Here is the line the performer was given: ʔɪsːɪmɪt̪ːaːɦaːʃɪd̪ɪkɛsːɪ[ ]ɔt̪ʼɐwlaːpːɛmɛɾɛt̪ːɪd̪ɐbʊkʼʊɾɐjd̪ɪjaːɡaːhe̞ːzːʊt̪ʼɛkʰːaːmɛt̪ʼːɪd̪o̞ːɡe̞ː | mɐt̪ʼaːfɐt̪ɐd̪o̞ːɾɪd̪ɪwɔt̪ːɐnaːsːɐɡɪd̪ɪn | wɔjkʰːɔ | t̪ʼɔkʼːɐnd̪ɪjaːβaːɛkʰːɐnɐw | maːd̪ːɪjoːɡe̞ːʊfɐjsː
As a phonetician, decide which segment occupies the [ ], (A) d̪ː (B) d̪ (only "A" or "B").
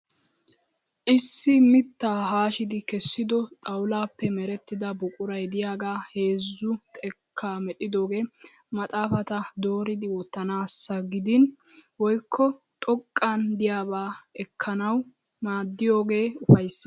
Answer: B